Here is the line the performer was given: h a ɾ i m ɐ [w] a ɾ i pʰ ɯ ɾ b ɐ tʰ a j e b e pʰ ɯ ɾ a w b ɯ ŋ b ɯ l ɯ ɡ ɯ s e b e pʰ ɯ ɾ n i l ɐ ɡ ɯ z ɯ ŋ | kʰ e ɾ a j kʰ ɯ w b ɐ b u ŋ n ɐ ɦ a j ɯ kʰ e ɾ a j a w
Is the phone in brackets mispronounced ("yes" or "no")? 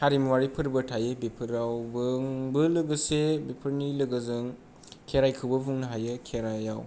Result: no